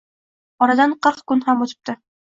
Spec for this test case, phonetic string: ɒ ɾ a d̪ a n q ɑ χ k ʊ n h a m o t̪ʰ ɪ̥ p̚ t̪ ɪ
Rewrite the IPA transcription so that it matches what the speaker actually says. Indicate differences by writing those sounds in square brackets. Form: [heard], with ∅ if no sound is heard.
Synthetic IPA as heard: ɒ ɾ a d̪ a n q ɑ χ k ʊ n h a m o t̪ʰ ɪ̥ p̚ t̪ ɪ